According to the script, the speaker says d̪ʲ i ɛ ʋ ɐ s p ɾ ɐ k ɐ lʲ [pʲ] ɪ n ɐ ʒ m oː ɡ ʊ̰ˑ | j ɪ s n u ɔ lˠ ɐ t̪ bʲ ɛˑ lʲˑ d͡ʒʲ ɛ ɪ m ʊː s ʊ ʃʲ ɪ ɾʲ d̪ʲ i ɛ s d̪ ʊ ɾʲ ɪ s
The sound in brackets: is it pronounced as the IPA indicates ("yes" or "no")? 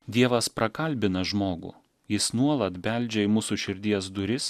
no